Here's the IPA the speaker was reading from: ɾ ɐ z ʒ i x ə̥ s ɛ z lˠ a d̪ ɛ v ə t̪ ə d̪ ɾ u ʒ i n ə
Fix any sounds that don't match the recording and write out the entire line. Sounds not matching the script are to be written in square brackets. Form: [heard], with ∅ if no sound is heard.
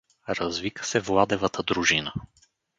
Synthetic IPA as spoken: ɾ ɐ z [v] i [k] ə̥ s ɛ [v] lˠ a d̪ ɛ v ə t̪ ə d̪ ɾ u ʒ i n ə